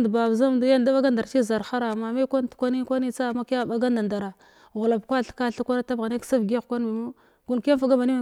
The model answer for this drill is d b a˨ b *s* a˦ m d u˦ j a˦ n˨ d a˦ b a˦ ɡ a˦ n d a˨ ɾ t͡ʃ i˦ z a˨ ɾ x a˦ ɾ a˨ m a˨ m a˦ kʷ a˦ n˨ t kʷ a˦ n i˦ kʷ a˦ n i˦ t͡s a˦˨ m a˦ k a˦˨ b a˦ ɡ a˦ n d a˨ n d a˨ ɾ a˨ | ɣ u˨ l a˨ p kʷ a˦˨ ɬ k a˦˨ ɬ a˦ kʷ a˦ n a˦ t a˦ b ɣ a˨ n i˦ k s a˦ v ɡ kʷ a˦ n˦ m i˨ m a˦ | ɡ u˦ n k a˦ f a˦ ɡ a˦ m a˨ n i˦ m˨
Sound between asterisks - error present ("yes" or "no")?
yes